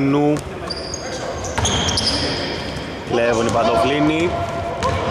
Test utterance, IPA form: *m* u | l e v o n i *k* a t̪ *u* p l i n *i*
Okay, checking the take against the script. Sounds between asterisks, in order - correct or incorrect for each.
incorrect, incorrect, incorrect, correct

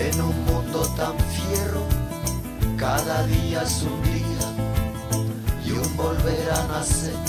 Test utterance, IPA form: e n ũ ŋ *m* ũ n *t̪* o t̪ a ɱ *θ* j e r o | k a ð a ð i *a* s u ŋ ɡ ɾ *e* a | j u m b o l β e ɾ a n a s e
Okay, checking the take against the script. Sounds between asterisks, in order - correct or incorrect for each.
correct, incorrect, incorrect, correct, incorrect

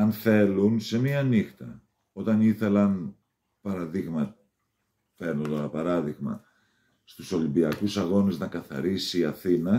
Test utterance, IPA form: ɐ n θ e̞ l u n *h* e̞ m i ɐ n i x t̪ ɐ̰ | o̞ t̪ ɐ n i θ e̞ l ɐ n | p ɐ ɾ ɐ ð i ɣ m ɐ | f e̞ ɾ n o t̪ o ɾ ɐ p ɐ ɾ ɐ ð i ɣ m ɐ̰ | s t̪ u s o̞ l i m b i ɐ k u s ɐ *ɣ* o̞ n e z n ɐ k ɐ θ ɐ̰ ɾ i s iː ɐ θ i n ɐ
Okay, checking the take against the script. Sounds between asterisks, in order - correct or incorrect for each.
incorrect, correct

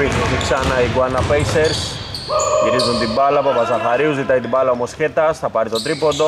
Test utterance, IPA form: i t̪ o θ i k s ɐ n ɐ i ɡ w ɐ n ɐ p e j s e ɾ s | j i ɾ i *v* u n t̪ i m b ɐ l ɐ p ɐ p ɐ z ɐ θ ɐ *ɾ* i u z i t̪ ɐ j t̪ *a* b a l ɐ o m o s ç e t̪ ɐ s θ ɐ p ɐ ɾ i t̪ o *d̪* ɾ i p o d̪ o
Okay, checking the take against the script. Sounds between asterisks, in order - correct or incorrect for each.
incorrect, correct, incorrect, incorrect

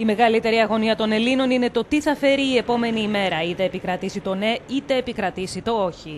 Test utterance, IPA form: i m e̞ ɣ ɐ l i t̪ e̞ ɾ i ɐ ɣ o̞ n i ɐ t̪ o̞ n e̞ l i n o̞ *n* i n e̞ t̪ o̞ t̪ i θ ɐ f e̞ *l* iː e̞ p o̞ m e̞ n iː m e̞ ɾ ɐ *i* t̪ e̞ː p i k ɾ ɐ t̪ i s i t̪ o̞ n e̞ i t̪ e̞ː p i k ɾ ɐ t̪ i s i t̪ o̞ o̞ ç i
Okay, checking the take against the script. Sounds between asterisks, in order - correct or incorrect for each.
correct, incorrect, correct

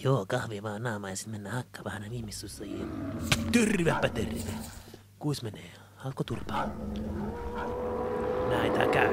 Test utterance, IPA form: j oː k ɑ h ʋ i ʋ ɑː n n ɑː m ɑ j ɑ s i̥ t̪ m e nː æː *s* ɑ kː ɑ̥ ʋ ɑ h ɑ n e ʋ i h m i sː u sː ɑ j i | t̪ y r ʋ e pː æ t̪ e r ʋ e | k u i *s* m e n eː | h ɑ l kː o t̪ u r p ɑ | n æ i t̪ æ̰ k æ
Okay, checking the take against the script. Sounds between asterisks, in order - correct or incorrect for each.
incorrect, correct

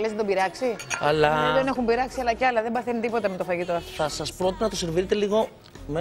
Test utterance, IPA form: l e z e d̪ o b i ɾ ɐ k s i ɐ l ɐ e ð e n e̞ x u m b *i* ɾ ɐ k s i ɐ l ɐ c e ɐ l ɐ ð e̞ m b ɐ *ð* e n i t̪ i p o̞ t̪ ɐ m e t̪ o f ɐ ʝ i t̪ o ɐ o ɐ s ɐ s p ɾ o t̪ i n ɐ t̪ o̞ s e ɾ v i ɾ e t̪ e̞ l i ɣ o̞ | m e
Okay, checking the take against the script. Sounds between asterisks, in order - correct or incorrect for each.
correct, incorrect

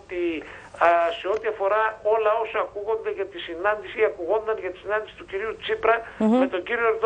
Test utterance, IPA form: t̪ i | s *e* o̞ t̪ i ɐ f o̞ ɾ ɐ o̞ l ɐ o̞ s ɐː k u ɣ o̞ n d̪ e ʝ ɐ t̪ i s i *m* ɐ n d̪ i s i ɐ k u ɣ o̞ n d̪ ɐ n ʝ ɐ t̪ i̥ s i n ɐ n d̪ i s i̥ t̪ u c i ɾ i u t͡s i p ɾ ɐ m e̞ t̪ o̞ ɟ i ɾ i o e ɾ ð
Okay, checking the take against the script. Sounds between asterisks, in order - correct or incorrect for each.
correct, incorrect

